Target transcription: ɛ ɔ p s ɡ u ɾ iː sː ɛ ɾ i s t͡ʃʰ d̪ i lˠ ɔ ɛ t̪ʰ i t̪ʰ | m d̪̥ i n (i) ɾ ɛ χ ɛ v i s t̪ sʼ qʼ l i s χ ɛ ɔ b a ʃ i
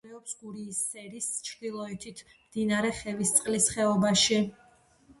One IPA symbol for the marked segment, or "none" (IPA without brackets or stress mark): a